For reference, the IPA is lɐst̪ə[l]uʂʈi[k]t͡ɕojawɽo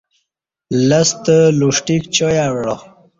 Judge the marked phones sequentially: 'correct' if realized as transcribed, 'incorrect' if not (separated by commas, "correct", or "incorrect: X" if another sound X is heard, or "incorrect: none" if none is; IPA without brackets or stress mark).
correct, correct